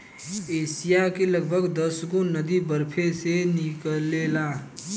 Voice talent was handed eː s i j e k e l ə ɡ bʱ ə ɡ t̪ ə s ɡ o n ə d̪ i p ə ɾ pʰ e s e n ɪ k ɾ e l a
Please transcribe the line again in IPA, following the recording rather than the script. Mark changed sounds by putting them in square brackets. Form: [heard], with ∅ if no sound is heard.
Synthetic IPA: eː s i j [a] k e l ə ɡ bʱ ə ɡ [d̪] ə s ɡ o n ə d̪ i [b] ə ɾ pʰ e s e n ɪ k [l] e l a